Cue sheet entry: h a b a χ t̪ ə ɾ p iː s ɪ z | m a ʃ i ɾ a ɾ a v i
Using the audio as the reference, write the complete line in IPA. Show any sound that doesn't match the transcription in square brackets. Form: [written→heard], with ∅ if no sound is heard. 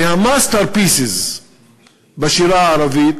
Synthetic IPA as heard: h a [b→m] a [χ→s] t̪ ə ɾ p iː s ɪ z | [m→b] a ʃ i ɾ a ɾ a v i